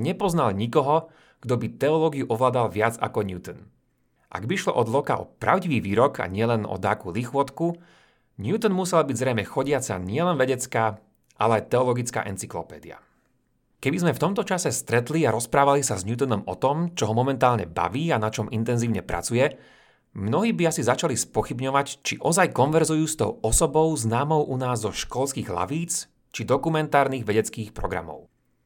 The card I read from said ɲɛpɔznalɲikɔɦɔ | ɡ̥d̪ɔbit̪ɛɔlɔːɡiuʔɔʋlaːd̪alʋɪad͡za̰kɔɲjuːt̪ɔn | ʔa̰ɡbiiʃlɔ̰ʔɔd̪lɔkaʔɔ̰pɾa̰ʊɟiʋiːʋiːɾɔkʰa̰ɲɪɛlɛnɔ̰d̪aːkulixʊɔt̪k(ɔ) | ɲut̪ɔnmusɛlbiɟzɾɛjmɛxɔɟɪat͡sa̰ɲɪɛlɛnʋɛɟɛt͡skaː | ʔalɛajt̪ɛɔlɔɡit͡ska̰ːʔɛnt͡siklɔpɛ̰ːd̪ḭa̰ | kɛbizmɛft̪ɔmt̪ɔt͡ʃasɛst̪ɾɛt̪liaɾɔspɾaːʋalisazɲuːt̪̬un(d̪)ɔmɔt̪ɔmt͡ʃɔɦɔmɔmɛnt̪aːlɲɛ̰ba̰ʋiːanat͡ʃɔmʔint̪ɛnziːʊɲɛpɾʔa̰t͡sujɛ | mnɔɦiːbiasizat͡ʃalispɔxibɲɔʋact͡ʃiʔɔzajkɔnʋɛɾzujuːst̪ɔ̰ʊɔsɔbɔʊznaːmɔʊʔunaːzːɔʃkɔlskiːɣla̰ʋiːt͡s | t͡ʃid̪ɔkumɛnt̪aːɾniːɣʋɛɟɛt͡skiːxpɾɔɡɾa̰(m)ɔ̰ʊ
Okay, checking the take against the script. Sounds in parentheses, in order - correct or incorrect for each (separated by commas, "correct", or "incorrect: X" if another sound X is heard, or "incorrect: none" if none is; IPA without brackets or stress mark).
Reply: incorrect: u, correct, correct